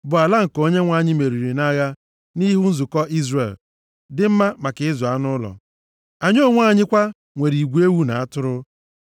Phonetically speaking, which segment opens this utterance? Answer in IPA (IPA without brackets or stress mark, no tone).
b